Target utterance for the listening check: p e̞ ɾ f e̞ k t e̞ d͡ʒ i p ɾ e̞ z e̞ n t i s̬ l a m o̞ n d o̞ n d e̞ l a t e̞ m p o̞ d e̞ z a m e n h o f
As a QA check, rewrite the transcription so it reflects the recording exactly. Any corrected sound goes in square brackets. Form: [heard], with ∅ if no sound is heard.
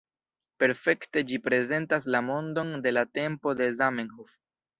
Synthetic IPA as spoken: p e̞ ɾ f e̞ k t e̞ d͡ʒ i p ɾ e̞ z e̞ n t [a] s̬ l a m o̞ n d o̞ n d e̞ l a t e̞ m p o̞ d e̞ z a m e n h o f

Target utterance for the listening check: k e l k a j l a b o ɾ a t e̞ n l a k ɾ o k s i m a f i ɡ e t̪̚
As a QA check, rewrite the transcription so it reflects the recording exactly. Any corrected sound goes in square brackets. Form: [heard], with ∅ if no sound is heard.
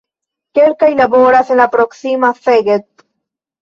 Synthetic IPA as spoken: k e l k a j l a b o ɾ a [s] e̞ n l a [p] ɾ o k s i m a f [e] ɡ e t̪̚

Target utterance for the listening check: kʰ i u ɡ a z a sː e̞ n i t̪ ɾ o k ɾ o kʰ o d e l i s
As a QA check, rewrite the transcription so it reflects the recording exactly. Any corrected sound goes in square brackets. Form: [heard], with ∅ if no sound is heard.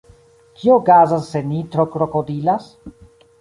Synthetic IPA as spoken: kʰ i [o] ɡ a z a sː e̞ n i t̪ ɾ o k ɾ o [k] o d [i] l [a] s

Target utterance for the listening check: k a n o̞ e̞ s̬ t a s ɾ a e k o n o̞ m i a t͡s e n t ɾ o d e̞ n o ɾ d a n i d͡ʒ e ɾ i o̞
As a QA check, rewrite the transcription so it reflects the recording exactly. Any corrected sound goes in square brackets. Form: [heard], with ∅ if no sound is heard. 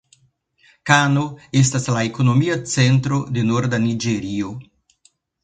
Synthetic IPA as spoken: k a n o̞ e̞ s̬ t a s [l] a e k o n o̞ m i a t͡s e n t ɾ o d e̞ n o ɾ d a n i d͡ʒ e ɾ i o̞

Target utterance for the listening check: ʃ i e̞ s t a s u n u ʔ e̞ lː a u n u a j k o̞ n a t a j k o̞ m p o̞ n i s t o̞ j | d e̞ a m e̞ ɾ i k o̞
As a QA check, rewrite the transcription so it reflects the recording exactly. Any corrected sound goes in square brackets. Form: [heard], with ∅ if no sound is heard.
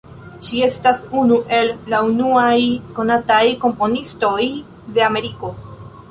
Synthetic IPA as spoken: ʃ i e̞ s t a s u n u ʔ e̞ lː a u n u a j k o̞ n a t a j k o̞ m p o̞ n i s t o̞ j | d e̞ a m e̞ ɾ i k o̞

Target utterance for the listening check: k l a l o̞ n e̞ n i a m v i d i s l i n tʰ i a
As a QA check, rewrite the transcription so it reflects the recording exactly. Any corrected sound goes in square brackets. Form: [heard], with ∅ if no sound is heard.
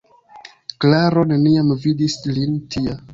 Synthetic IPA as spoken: k l a [ɾ] o̞ n e̞ n i a m v i d i s l i n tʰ i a

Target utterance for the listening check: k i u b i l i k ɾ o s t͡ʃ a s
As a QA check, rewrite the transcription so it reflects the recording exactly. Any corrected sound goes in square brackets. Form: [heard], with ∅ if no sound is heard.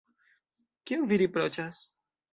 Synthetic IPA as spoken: k i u [v] i [ɾ] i [p] ɾ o [∅] t͡ʃ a s

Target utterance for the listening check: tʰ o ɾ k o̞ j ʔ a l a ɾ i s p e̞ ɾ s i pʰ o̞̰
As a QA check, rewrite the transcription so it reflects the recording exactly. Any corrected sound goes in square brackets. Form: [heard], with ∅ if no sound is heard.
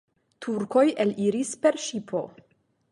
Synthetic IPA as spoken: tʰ [u] ɾ k o̞ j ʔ [e] l [i] ɾ i s p e̞ ɾ [ʃ] i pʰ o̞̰

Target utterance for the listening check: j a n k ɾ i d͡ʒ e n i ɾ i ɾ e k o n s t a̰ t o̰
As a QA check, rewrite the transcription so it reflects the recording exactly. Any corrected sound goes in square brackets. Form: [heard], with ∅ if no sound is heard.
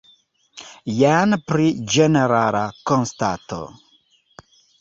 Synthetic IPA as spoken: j a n [p] ɾ i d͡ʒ e n [e] ɾ [a] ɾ [a] k o n s t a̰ t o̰

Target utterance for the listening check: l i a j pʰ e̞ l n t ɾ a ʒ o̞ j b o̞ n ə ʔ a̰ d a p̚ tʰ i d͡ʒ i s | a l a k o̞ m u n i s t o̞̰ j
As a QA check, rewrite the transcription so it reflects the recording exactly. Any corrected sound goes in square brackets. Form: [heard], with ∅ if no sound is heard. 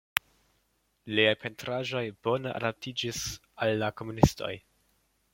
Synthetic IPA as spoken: l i a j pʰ e̞ [∅] n t ɾ a ʒ o̞ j b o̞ n ə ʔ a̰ d a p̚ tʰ i d͡ʒ i s | a [lː] a k o̞ m u n i s t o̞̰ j

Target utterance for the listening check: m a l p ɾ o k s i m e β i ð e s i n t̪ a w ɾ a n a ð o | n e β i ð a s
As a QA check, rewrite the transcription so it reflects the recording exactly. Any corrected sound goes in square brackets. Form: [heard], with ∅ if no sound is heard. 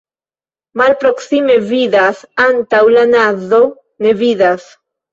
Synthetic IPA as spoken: m a l p ɾ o k s i m e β i ð [a] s [a] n t̪ a w [l] a n a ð o | n e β i ð a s

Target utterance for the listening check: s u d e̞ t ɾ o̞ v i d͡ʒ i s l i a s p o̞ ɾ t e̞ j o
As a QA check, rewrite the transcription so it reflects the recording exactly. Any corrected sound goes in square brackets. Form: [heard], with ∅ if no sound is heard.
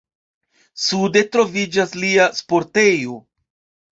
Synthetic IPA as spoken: s u d e̞ t ɾ o̞ v i d͡ʒ [a] s l i a s p o̞ ɾ t e̞ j o

